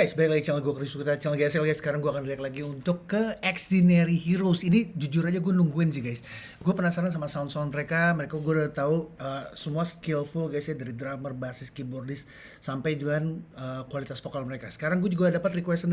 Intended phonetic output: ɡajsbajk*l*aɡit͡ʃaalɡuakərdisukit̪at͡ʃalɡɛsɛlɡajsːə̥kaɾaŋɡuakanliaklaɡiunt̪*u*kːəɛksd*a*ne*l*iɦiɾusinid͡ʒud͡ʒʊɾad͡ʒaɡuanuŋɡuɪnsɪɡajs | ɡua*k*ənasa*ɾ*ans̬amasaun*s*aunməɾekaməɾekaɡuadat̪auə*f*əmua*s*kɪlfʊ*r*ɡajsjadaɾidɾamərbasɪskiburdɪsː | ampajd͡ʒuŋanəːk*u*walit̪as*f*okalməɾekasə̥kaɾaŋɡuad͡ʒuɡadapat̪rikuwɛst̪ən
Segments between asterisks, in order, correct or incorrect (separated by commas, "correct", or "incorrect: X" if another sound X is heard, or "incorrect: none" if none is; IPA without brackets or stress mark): correct, incorrect: ʊ, incorrect: i, incorrect: ɾ, incorrect: p, correct, correct, incorrect: s, correct, incorrect: l, correct, correct